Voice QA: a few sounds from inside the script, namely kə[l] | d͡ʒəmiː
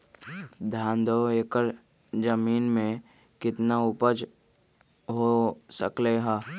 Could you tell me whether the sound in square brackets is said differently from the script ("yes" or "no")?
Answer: yes